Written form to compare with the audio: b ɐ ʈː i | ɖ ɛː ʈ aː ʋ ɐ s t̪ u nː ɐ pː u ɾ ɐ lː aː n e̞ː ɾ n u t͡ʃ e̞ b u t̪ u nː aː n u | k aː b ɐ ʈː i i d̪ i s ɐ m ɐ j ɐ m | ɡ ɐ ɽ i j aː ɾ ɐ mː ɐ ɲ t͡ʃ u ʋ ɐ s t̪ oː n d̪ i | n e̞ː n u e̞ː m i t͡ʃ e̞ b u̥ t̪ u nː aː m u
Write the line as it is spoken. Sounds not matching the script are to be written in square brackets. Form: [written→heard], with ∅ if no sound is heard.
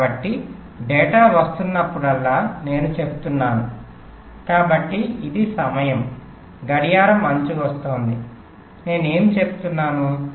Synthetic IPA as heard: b ɐ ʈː i | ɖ ɛː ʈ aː ʋ ɐ s t̪ u nː ɐ pː u [ɾ→ɽ] ɐ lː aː n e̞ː [ɾ→∅] n u t͡ʃ e̞ b u t̪ u nː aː n u | k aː b ɐ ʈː i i d̪ i s ɐ m ɐ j ɐ m | ɡ ɐ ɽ i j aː ɾ ɐ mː ɐ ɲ t͡ʃ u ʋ ɐ s t̪ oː n d̪ i | n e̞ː n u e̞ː m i t͡ʃ e̞ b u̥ t̪ u nː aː [m→n] u